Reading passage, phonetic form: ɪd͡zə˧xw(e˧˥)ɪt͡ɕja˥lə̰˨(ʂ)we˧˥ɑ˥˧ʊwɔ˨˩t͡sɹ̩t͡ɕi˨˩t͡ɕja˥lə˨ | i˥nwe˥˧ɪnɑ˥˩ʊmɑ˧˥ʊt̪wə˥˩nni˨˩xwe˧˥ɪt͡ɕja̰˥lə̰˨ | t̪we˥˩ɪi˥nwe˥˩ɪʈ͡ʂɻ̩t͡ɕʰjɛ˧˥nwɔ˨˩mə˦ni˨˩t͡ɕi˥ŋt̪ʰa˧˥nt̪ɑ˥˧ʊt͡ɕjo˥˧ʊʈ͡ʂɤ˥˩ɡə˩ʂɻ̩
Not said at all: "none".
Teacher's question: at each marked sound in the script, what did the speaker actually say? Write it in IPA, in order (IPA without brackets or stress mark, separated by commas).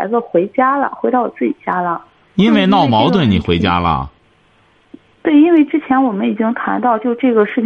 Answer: e˧˥, x